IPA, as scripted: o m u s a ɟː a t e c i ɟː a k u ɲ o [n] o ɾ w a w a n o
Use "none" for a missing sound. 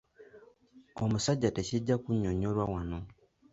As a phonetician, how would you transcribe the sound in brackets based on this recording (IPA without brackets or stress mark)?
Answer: ɲ